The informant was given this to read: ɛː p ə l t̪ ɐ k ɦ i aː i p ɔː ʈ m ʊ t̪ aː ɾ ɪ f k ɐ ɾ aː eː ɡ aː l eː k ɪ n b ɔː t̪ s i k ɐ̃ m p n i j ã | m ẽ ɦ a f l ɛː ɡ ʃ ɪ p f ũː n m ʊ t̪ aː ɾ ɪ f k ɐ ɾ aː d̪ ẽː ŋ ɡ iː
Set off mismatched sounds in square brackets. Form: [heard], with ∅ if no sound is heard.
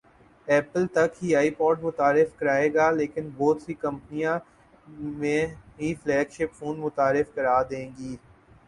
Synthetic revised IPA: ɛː p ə l t̪ ɐ k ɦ i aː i p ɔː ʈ m ʊ t̪ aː ɾ ɪ f k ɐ ɾ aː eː ɡ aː l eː k ɪ n b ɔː t̪ s i k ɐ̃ m p n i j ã | m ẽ ɦ [i] f l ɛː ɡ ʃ ɪ p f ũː n m ʊ t̪ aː ɾ ɪ f k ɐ ɾ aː d̪ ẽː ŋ ɡ iː